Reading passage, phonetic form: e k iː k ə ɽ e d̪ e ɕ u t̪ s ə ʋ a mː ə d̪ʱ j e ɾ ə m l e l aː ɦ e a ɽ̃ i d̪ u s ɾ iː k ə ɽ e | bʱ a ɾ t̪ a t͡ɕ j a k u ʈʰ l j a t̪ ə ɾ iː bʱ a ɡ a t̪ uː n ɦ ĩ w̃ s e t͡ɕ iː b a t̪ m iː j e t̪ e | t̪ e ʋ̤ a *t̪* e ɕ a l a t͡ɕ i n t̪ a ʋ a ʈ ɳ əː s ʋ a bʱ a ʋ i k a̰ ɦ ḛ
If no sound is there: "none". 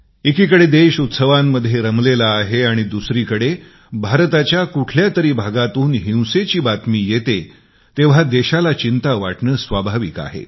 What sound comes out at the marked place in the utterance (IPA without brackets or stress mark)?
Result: d̪